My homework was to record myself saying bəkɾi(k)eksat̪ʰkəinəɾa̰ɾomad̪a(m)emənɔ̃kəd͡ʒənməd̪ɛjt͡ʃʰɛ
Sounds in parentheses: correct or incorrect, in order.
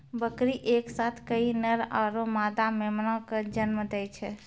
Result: incorrect: ʔ, correct

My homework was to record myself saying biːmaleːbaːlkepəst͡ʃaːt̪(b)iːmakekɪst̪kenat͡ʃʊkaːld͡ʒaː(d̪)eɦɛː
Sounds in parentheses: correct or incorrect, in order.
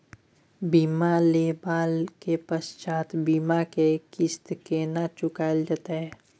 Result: correct, incorrect: t̪

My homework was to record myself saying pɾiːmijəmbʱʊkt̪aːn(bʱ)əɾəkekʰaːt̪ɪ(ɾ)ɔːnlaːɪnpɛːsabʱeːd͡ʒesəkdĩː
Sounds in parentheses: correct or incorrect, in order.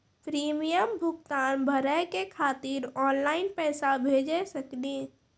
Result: correct, correct

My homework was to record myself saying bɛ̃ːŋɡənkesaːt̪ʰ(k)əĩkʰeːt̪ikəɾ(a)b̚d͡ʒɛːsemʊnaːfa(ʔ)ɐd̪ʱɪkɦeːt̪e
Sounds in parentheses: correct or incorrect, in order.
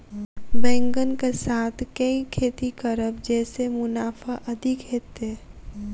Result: correct, incorrect: ə, correct

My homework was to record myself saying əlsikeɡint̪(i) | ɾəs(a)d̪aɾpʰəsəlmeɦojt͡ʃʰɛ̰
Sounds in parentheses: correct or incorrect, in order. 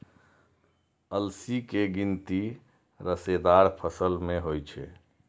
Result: correct, incorrect: e

